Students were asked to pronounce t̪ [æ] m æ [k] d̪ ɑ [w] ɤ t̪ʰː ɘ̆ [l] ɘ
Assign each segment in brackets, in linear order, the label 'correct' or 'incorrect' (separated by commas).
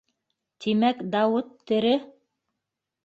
incorrect, correct, correct, incorrect